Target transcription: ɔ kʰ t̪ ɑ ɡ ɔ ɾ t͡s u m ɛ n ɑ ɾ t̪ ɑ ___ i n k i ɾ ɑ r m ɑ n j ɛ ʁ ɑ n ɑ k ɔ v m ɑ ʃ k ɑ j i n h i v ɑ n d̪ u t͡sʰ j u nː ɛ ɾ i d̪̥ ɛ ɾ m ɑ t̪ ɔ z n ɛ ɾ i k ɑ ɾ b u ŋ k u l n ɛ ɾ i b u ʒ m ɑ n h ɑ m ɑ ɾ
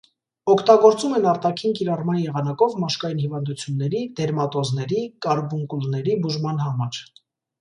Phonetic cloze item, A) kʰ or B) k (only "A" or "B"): A